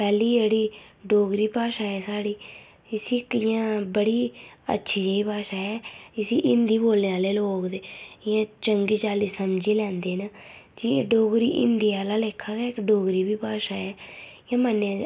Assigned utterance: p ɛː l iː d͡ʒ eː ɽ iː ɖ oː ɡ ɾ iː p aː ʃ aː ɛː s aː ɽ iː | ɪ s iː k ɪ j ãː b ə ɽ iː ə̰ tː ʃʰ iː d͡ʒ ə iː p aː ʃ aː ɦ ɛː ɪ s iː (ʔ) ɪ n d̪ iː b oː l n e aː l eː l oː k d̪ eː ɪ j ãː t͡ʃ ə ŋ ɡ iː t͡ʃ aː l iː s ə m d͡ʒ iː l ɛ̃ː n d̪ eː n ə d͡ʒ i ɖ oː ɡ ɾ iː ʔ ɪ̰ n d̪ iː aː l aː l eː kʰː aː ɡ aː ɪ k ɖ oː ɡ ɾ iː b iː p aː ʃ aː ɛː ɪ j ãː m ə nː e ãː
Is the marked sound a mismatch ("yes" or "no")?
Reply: no